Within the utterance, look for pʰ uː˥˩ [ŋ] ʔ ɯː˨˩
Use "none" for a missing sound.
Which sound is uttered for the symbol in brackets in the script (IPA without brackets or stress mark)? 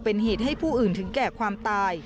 none